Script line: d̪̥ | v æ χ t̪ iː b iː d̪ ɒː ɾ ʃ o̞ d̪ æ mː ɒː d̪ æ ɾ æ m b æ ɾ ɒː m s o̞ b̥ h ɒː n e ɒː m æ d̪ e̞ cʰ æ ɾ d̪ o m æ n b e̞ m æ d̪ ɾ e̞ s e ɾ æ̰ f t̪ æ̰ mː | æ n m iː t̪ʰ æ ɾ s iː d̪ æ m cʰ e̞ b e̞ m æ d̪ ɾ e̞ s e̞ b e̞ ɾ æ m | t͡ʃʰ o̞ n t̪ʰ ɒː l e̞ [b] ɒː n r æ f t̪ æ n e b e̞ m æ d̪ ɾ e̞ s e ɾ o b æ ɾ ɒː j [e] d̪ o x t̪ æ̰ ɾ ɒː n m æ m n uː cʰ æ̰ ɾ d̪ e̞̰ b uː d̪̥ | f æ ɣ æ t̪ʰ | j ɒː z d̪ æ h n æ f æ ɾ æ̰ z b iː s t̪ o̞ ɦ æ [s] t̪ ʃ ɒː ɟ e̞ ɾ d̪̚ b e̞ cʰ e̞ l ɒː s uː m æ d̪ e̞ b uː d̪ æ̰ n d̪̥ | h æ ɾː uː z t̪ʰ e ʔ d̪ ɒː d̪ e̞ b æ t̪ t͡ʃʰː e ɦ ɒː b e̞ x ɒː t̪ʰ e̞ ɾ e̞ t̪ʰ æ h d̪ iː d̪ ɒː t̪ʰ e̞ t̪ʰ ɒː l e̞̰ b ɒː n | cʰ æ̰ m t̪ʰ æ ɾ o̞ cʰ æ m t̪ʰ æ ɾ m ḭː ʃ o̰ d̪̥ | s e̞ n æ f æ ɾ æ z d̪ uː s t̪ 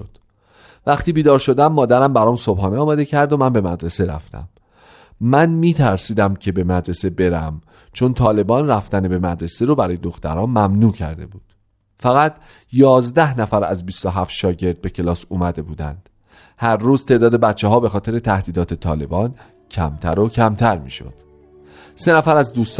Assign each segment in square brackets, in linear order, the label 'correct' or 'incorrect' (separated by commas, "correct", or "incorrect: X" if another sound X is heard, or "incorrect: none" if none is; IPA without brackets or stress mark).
correct, correct, incorrect: f